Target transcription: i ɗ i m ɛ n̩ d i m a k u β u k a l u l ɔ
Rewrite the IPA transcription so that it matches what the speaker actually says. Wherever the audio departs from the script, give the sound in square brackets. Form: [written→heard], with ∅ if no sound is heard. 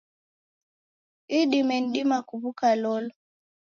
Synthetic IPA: i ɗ i m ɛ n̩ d i m a k u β u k a l [u→ɔ] l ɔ